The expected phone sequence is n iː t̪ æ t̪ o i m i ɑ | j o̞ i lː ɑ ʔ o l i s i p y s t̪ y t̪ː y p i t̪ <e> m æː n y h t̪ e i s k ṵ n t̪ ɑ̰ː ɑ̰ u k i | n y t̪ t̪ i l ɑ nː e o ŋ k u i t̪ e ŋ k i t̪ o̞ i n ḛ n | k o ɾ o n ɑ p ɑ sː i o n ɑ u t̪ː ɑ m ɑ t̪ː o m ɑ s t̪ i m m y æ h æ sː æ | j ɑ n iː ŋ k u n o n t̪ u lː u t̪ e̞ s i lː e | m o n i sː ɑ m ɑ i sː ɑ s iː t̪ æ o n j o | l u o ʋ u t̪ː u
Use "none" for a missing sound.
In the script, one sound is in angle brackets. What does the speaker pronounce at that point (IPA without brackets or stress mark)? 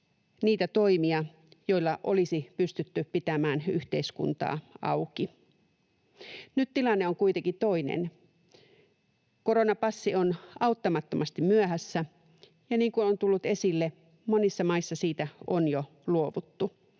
æ